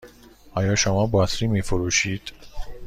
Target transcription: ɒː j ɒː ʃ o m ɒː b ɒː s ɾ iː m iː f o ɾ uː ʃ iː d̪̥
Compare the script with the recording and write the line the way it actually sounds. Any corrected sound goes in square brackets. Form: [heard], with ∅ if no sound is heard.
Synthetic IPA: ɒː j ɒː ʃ o m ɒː b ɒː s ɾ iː m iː f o ɾ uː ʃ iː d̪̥